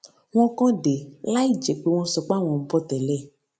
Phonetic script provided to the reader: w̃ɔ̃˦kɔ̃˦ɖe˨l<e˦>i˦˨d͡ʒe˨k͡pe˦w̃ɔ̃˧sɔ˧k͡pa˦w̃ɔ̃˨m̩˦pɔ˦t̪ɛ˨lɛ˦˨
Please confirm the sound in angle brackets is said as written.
no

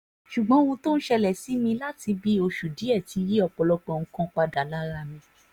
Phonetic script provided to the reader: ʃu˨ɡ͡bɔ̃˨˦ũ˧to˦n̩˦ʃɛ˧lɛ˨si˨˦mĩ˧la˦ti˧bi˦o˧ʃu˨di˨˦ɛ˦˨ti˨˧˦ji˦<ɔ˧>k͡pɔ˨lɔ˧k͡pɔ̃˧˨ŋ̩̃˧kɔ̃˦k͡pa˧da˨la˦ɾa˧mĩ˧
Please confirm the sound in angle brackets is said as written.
yes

